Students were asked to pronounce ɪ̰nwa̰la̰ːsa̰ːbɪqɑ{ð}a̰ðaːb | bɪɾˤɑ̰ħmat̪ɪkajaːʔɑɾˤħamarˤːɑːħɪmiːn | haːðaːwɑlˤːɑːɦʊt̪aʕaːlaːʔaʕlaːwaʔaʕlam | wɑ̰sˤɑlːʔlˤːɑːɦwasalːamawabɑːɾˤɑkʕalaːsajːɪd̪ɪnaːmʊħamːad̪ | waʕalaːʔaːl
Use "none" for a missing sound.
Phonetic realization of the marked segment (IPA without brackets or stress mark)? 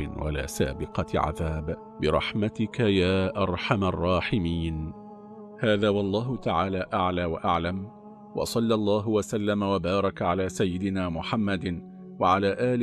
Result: ʕ